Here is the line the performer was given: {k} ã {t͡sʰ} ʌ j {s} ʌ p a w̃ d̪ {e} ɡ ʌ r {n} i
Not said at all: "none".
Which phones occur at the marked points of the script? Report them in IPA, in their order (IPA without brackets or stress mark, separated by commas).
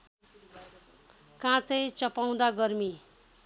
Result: k, t͡s, t͡s, a, m